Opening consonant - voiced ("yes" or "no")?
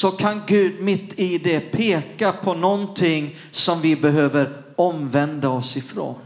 no